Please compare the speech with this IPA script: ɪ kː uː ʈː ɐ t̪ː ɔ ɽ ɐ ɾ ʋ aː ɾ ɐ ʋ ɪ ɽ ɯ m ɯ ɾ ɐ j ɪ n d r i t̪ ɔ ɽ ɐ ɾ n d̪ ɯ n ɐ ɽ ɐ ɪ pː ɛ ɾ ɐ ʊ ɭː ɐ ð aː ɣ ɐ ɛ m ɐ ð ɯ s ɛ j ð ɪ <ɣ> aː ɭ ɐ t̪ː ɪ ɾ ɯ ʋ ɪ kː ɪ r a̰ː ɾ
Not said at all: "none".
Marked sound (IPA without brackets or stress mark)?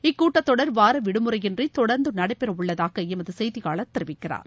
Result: ɣ